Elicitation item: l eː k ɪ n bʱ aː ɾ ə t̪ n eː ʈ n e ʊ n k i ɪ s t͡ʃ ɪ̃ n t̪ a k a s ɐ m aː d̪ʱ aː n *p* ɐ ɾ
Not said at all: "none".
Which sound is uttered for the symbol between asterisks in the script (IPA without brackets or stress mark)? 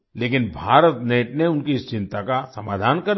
k